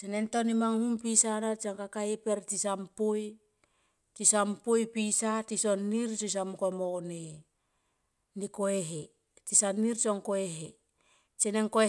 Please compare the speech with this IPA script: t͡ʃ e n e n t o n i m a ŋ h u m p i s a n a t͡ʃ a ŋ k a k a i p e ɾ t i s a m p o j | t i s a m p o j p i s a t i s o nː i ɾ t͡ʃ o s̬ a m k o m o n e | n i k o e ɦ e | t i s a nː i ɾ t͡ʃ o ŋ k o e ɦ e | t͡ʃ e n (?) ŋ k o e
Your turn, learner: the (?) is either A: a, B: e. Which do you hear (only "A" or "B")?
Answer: B